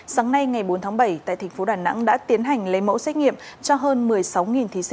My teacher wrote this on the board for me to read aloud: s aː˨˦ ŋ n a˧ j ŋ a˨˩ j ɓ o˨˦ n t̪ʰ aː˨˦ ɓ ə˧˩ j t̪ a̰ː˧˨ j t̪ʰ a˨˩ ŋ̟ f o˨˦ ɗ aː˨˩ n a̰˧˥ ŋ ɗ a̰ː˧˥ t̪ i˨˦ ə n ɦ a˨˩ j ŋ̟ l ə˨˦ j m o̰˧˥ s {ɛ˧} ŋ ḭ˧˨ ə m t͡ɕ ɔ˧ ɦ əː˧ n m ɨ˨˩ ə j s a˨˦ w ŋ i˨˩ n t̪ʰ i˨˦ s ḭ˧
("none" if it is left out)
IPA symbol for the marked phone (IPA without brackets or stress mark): ɛ˦˥